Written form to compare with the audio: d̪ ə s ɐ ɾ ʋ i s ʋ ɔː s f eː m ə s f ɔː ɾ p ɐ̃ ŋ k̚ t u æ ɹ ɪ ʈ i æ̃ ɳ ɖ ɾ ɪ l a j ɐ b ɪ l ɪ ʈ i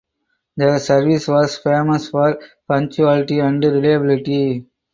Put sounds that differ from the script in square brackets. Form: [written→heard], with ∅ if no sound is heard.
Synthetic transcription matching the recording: d̪ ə s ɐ ɾ ʋ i s ʋ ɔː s f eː m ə s f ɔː ɾ p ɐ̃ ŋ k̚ [t→t͡ʃ] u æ [ɹ→l] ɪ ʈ i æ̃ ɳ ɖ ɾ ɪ l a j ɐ b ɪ l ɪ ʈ i